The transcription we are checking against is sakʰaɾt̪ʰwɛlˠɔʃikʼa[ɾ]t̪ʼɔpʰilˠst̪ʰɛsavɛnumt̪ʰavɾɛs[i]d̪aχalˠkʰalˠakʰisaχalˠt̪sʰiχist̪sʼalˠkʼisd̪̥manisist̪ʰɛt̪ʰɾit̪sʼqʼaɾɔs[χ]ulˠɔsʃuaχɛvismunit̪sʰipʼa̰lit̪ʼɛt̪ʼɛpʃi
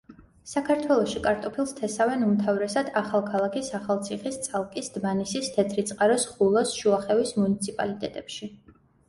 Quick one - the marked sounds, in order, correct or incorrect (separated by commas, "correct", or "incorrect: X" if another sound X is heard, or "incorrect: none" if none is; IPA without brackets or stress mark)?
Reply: correct, incorrect: a, correct